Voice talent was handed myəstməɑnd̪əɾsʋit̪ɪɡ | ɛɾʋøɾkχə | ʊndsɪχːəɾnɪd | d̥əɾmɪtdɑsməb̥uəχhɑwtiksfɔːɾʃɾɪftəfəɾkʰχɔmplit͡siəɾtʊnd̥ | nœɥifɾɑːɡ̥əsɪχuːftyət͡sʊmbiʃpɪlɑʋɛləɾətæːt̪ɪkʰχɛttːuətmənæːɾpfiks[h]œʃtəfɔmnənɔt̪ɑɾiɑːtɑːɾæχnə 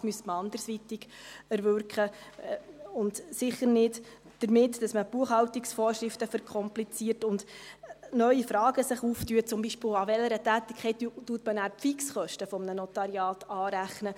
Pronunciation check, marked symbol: incorrect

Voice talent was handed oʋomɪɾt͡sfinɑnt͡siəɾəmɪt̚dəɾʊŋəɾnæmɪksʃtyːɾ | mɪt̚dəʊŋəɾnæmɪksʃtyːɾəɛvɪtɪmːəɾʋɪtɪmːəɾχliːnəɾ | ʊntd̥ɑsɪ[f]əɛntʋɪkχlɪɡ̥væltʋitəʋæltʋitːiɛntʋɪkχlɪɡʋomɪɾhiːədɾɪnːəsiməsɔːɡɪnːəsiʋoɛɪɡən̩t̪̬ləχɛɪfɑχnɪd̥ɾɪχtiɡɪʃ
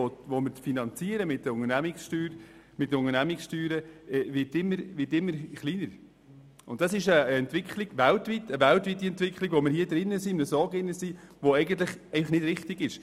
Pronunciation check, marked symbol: incorrect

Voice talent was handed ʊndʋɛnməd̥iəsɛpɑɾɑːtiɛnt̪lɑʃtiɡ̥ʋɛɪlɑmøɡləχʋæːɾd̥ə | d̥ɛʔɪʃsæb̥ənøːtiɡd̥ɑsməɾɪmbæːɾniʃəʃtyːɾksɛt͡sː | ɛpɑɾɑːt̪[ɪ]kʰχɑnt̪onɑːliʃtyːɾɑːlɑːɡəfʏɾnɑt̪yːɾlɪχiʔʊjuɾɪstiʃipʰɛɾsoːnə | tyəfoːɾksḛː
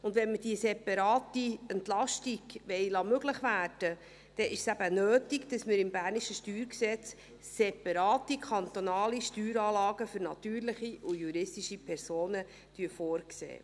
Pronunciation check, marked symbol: incorrect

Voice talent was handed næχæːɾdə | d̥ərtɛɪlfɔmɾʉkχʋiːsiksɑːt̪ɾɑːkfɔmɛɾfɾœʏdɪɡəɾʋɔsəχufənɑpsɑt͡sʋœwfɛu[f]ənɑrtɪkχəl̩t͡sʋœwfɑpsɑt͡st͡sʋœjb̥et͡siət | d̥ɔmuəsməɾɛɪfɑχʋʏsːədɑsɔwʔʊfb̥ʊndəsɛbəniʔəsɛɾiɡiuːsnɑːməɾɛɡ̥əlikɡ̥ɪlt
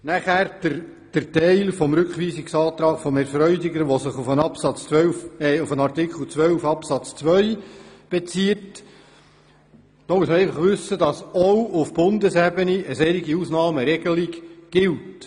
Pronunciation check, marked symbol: correct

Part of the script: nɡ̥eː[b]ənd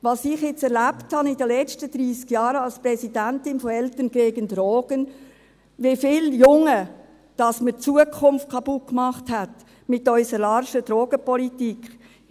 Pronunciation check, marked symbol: incorrect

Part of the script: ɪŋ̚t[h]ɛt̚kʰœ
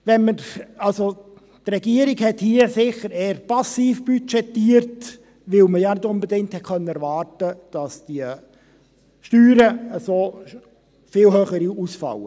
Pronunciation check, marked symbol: correct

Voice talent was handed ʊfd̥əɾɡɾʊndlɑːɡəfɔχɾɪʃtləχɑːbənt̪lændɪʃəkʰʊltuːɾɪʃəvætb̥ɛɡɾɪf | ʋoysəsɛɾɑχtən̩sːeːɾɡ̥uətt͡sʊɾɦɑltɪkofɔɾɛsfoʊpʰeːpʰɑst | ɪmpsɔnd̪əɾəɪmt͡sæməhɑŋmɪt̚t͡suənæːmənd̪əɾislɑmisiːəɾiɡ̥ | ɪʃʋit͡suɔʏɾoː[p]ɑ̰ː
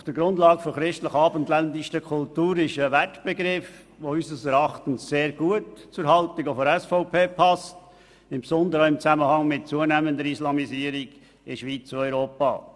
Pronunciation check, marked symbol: correct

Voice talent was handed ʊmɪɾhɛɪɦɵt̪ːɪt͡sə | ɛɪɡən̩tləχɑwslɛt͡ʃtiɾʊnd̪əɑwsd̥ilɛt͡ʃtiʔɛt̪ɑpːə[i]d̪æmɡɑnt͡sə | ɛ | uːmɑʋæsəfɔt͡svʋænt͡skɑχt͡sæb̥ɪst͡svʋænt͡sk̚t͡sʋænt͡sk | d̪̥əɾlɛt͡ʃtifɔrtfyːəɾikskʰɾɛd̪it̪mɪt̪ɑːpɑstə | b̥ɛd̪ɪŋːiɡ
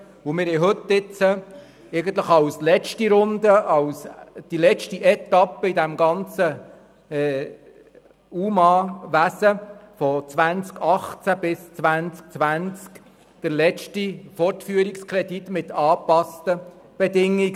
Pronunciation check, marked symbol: correct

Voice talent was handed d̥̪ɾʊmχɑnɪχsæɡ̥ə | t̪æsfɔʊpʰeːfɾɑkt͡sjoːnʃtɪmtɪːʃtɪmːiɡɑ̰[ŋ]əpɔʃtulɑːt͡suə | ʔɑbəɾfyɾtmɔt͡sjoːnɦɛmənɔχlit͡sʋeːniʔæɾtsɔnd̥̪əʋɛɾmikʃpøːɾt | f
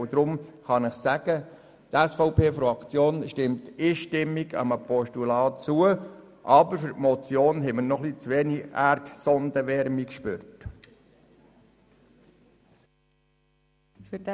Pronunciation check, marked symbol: incorrect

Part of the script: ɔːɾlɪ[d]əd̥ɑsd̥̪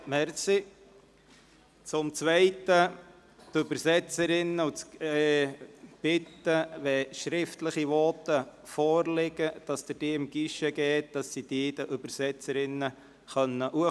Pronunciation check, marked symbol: incorrect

